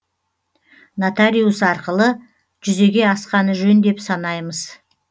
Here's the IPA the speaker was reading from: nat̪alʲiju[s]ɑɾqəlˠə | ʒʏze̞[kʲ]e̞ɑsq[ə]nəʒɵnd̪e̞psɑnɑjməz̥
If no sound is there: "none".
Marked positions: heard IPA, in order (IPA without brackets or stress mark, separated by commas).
s, ɡʲ, ɑ